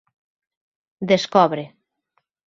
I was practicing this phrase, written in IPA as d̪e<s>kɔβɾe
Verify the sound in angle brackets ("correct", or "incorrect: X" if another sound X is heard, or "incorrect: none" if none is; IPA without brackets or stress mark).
correct